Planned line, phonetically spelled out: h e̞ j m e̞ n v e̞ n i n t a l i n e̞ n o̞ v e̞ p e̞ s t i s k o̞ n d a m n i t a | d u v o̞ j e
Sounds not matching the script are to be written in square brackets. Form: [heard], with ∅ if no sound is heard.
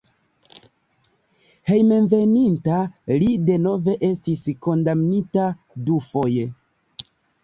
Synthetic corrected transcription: h e̞ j m e̞ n v e̞ n i n t a l i [d] e̞ n o̞ v e̞ [ʔ] e̞ s t i s k o̞ n d a m n i t a | d u [f] o̞ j e